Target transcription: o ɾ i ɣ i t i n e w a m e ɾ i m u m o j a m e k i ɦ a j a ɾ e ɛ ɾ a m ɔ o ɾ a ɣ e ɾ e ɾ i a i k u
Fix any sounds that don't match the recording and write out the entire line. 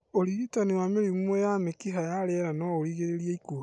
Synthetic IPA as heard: o ɾ i ɣ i t a n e w a m e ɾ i m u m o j a m e k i ɦ a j a ɾ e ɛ ɾ a n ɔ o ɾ i ɣ e ɾ e ɾ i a i k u